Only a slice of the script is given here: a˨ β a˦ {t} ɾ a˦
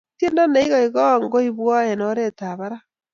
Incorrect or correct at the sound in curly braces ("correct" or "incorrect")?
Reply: incorrect